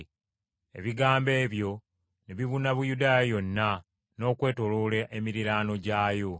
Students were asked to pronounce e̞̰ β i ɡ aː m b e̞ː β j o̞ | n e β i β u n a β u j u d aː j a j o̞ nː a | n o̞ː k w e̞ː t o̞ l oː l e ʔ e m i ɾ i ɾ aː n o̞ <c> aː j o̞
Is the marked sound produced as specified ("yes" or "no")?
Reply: no